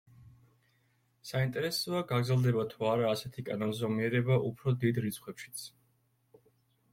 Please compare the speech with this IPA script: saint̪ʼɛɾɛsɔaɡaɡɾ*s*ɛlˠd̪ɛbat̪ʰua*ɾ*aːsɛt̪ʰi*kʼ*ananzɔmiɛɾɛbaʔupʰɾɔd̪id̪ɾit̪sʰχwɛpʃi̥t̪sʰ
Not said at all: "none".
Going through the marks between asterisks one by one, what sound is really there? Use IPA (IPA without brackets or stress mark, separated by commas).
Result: z, ɾ, kʼ